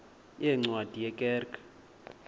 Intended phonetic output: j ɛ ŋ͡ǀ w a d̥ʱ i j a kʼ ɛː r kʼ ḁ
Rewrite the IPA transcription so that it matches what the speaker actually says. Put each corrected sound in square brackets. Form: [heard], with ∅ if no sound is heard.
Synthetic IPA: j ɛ ŋ͡ǀ w a d̥ʱ i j [ɛ] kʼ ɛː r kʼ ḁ